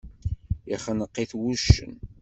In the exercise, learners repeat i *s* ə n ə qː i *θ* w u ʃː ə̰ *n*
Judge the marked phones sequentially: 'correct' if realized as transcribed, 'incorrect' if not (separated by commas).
incorrect, correct, correct